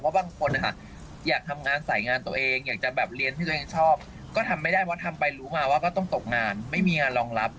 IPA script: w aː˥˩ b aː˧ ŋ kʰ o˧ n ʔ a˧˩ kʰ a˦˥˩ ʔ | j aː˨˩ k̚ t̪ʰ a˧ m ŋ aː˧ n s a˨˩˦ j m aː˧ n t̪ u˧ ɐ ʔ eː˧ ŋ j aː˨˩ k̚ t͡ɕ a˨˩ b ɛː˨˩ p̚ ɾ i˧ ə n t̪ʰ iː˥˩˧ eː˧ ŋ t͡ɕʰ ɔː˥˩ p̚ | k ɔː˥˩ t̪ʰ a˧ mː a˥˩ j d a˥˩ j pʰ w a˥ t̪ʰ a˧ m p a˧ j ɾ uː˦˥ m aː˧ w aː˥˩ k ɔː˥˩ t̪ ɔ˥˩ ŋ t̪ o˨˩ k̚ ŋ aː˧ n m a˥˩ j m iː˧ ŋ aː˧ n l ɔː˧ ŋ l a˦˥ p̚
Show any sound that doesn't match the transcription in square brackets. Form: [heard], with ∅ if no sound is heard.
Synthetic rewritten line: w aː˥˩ b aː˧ ŋ kʰ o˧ n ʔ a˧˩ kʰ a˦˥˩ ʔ | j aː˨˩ k̚ t̪ʰ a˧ m ŋ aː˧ n s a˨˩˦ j [ŋ] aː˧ n t̪ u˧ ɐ ʔ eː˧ ŋ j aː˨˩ k̚ t͡ɕ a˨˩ b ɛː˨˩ p̚ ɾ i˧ ə n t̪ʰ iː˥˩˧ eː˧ ŋ t͡ɕʰ ɔː˥˩ p̚ | k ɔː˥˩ t̪ʰ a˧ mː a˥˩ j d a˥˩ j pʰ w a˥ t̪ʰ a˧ m p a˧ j ɾ uː˦˥ m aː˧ w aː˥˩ k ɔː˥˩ t̪ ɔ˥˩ ŋ t̪ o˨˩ k̚ ŋ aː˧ n m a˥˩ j m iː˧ ŋ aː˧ n l ɔː˧ ŋ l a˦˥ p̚

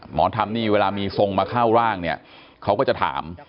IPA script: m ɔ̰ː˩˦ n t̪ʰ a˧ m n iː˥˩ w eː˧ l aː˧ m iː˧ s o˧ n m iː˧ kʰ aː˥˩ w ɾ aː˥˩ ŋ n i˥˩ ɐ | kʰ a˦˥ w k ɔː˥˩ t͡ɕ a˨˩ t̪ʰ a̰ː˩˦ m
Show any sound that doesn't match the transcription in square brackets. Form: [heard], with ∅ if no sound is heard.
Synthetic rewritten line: m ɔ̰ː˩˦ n t̪ʰ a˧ m n iː˥˩ w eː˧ l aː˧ m iː˧ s o˧ [ŋ] m [aː˧] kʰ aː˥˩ w ɾ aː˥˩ ŋ n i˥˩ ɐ | kʰ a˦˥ w k ɔː˥˩ t͡ɕ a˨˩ t̪ʰ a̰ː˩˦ m

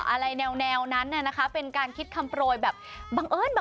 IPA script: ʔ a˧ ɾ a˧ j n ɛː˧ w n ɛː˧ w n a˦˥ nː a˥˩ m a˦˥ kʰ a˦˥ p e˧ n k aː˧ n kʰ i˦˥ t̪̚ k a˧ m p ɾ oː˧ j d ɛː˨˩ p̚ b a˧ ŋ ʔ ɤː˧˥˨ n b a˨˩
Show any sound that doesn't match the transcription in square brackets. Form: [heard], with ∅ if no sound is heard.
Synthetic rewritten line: ʔ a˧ ɾ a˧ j n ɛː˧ w n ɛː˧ w n a˦˥ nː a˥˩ [n] a˦˥ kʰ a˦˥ p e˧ n k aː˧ n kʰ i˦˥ t̪̚ [kʰ] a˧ m p ɾ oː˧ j [b] ɛː˨˩ p̚ b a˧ ŋ ʔ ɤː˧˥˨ n b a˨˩

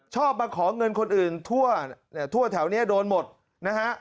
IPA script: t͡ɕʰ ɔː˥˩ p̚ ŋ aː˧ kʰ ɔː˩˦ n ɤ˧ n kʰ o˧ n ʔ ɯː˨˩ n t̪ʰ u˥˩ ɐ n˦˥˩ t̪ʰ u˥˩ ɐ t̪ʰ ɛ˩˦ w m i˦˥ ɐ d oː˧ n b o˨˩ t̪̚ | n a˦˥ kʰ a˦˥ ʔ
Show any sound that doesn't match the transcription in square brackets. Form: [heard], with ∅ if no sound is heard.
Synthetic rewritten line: t͡ɕʰ ɔː˥˩ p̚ [m] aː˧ kʰ ɔː˩˦ [ŋ] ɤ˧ n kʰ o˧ n ʔ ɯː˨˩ n t̪ʰ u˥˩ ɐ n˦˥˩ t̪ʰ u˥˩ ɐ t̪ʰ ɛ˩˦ w [n] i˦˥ ɐ d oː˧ n [m] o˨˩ t̪̚ | n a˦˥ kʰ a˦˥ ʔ

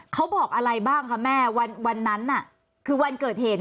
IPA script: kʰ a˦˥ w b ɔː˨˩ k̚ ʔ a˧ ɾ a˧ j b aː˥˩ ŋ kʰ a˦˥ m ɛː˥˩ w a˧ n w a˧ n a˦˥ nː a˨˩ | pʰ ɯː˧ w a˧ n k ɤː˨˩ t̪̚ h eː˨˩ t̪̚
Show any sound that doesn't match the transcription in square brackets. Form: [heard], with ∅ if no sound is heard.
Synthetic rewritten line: kʰ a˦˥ w b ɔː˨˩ k̚ ʔ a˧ ɾ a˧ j b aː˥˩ ŋ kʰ a˦˥ m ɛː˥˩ w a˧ n w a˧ [nː] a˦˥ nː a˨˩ | [kʰ] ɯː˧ w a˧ n k ɤː˨˩ t̪̚ h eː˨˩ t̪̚

